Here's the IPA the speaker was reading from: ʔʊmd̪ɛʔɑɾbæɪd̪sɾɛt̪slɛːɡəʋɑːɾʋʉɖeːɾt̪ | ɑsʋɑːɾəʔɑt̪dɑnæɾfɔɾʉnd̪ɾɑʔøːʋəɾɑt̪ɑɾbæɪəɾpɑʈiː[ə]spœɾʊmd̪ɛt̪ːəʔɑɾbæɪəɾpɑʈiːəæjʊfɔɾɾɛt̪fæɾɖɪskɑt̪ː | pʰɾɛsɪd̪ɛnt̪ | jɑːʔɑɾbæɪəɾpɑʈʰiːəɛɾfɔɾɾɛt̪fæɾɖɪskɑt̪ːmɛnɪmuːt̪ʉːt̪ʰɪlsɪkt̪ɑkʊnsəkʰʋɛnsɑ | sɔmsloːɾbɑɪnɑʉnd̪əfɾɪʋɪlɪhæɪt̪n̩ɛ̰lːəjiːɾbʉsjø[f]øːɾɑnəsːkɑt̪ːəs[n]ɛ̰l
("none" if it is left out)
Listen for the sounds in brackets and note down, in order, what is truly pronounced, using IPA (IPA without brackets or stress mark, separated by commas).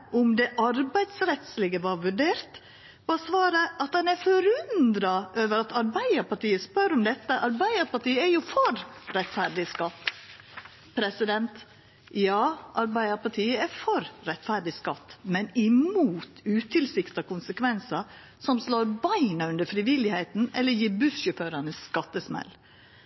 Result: ə, f, m